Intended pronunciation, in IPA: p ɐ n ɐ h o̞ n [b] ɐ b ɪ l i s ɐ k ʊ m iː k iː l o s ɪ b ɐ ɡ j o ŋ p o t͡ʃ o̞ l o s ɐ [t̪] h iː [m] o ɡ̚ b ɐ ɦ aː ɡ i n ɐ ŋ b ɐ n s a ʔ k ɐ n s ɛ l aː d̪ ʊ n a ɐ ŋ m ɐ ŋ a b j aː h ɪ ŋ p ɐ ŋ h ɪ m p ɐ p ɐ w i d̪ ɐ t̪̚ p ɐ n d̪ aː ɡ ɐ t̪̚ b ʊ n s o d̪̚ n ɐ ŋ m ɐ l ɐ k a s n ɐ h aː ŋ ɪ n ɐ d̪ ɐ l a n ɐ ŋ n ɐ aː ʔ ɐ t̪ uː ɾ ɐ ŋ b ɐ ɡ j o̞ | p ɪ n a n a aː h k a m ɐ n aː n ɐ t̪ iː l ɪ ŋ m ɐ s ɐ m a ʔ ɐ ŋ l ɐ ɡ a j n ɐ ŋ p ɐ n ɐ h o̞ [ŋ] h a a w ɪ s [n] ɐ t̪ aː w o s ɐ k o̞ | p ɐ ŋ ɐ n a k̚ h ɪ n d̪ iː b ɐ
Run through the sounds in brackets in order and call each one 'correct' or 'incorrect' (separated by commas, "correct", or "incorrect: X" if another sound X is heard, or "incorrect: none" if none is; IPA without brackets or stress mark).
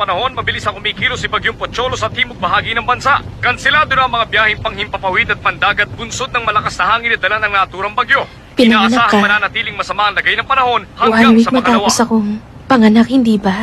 incorrect: m, correct, correct, incorrect: n, incorrect: m